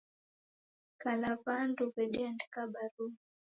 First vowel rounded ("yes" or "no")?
no